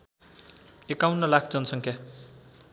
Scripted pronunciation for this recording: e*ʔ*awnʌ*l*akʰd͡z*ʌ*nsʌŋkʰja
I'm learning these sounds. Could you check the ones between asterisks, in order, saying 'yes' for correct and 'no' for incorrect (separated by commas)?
no, yes, yes